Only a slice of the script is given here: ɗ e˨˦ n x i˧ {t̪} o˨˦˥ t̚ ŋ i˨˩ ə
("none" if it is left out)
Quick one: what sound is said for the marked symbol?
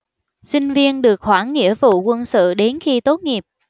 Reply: t̪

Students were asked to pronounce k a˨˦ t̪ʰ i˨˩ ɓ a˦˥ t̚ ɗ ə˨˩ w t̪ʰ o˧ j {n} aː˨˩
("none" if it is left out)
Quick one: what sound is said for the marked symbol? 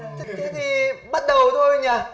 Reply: ɲ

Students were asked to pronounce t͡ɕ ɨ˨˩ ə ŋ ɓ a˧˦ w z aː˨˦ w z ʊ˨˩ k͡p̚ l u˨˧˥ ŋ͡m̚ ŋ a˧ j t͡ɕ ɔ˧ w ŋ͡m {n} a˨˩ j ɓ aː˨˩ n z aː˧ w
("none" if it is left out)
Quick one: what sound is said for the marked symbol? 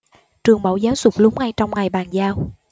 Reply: ŋ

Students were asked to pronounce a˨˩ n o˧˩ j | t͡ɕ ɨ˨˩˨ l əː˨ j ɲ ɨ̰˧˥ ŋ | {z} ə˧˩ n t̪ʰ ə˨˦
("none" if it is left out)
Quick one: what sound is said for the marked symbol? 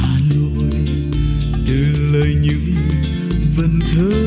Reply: v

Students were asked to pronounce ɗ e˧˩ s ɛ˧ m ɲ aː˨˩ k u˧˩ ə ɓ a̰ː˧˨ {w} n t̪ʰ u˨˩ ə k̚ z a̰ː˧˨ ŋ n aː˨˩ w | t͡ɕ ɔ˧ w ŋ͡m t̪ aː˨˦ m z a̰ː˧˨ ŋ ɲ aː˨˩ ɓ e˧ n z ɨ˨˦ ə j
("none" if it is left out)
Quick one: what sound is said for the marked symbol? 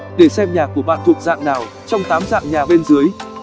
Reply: none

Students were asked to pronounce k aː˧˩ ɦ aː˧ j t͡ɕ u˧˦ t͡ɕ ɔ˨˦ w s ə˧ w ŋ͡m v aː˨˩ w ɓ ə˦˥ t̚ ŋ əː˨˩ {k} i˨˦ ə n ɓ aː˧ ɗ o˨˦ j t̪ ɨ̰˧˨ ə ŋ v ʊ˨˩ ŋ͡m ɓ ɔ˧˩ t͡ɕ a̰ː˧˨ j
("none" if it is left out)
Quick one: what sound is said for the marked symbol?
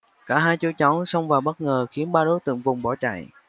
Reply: x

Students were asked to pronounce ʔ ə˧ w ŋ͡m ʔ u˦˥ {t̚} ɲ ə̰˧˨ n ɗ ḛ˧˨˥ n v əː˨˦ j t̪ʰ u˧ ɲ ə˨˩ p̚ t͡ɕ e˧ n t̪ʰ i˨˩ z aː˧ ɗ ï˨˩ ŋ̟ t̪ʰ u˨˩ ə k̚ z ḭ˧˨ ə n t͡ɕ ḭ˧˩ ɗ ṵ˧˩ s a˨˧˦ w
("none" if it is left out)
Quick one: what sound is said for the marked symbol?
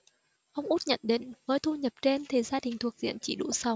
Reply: t̚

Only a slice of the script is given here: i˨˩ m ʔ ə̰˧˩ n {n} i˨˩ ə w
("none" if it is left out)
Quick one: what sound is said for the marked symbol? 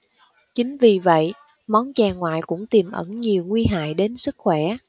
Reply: ɲ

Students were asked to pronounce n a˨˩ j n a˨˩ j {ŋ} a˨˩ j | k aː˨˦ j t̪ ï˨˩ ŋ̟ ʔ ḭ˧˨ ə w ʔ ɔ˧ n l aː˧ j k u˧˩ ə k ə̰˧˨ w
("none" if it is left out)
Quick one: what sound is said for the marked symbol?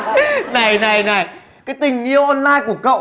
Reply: n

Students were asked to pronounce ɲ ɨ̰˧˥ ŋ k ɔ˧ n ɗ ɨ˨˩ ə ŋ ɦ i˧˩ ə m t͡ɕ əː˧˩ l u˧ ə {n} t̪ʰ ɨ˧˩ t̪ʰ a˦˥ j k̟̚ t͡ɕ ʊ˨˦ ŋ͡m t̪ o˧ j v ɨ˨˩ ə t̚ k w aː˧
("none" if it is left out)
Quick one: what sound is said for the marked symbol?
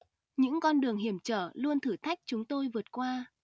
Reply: n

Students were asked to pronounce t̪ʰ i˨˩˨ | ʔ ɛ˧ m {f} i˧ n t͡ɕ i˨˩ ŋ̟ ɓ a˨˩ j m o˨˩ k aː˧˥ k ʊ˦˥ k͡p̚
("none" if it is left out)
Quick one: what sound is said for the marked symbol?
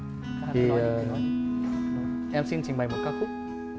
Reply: s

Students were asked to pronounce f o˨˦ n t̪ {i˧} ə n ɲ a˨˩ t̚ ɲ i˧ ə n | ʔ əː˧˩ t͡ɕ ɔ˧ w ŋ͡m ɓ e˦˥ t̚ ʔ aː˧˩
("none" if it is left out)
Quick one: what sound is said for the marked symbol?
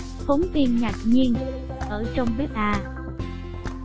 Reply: i˧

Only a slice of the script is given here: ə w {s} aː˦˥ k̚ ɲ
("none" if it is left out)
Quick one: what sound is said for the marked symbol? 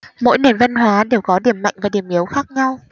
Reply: x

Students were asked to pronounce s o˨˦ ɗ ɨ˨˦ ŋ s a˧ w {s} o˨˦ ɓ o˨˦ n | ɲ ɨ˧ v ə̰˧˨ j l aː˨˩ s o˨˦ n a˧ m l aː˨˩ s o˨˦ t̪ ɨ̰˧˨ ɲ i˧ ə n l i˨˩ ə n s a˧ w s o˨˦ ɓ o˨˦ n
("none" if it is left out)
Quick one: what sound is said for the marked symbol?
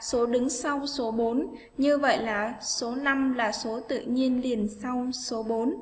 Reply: s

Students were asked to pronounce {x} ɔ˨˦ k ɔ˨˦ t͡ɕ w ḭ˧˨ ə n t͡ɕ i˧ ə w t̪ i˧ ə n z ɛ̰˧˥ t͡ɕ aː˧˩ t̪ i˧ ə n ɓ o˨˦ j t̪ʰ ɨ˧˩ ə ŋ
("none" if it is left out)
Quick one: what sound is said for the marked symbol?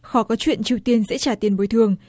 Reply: x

